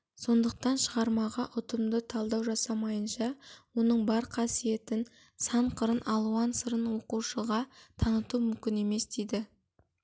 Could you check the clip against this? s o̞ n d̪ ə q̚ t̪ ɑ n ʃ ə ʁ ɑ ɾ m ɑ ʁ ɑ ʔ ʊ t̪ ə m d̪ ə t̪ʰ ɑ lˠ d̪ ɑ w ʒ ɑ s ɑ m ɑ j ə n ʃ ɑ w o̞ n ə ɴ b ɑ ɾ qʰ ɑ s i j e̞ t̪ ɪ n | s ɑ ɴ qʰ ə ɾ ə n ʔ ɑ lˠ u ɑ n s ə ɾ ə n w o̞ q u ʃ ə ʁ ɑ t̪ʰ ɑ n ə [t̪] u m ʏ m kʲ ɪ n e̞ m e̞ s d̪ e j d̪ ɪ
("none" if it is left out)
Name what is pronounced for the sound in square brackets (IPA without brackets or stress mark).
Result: t̪